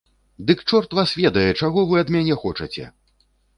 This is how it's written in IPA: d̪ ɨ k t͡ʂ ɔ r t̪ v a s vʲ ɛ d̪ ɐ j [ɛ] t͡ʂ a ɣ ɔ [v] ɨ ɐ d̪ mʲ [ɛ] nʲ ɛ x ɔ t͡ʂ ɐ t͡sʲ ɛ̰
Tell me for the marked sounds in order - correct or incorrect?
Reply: correct, correct, incorrect: a

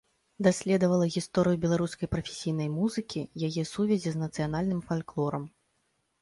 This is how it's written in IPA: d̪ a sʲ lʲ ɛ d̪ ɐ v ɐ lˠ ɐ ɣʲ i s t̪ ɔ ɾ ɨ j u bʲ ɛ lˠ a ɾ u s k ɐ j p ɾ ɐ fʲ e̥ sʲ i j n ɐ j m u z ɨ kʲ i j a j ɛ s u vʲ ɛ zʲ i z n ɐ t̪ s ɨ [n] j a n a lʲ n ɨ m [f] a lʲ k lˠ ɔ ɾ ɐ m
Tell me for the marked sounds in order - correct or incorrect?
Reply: incorrect: none, correct

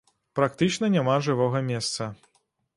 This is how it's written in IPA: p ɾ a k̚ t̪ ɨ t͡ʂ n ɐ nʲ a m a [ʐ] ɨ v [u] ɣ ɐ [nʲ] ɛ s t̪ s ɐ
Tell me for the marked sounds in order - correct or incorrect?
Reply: correct, incorrect: ɔ, incorrect: mʲ

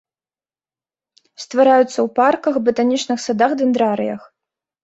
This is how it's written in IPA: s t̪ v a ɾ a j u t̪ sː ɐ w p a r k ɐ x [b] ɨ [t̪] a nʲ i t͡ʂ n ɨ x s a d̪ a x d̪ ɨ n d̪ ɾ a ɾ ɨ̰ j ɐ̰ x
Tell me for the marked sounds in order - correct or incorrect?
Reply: correct, correct

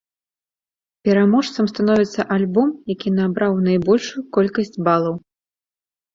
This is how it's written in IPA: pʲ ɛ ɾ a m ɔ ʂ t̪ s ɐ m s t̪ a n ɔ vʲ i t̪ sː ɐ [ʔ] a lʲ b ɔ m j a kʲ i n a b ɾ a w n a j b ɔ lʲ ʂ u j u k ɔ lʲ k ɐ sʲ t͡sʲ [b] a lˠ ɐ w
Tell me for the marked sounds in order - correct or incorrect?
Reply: correct, correct

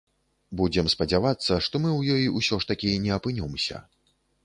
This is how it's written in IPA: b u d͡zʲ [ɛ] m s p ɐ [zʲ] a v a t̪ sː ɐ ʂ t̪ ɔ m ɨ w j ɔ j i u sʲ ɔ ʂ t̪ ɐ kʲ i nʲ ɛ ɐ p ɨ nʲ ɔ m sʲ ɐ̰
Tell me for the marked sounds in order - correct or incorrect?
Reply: correct, incorrect: d͡zʲ

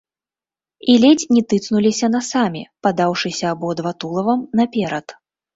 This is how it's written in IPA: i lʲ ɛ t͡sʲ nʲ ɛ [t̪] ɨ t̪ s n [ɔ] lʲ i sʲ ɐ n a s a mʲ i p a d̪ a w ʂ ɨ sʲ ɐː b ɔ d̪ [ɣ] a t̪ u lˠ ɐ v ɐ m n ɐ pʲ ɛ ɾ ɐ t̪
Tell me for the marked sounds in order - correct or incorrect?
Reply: correct, incorrect: u, incorrect: v

